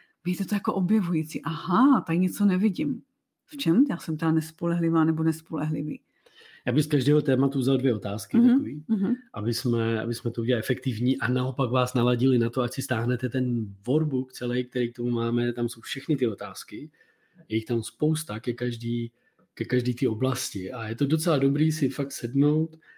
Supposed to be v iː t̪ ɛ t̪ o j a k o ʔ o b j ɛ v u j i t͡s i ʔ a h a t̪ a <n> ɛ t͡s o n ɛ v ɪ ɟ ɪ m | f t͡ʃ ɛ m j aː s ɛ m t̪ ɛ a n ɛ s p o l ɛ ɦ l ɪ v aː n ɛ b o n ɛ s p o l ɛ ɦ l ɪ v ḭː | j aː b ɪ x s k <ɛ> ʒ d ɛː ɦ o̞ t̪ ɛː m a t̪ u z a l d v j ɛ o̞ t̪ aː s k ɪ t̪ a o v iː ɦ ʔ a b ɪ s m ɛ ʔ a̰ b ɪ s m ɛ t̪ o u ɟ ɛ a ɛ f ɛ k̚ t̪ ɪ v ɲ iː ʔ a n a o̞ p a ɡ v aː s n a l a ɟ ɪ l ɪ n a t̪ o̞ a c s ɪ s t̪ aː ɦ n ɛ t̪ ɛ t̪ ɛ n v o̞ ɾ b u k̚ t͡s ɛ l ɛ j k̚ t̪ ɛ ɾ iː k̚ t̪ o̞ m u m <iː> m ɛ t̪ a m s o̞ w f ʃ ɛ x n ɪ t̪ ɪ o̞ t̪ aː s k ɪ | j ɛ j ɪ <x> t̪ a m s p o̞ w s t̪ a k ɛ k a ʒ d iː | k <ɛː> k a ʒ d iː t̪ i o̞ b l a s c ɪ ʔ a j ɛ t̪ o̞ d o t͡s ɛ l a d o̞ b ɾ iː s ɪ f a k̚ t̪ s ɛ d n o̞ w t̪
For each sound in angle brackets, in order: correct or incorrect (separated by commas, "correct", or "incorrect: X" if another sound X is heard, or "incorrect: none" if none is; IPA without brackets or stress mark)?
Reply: incorrect: ɲ, incorrect: a, incorrect: aː, correct, incorrect: ɛ